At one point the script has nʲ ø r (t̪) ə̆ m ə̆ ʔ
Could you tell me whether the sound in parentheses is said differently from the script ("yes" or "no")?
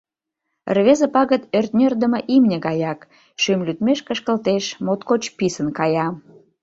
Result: yes